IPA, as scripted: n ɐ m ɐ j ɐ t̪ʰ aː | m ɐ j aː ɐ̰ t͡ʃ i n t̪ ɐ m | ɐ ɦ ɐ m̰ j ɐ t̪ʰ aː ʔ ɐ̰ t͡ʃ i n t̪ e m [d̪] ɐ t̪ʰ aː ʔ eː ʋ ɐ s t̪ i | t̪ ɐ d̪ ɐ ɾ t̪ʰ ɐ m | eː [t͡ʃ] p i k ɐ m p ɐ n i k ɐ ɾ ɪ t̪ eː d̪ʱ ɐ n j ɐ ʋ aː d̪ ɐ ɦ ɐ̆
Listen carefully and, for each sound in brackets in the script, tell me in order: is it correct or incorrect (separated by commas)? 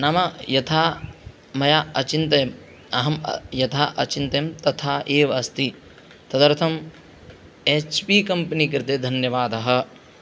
incorrect, correct